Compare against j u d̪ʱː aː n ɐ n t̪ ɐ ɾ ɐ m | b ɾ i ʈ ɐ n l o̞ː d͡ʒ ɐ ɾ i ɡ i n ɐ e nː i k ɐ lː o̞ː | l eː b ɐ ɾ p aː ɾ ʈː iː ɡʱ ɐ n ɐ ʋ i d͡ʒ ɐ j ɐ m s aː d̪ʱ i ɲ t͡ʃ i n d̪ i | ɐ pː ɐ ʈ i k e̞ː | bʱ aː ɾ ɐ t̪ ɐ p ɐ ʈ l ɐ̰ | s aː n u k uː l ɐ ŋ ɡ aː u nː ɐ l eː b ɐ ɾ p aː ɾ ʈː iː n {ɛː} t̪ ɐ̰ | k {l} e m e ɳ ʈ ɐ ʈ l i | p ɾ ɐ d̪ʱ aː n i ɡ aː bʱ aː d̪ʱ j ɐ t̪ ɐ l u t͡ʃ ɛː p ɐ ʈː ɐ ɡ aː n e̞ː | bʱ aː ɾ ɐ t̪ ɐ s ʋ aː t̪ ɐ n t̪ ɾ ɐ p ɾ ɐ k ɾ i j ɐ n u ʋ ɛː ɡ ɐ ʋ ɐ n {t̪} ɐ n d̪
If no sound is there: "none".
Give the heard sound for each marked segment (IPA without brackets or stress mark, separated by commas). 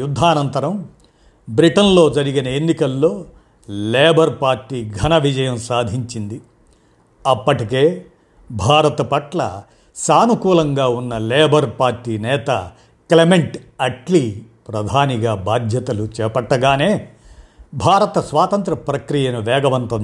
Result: ɛː, l, t̪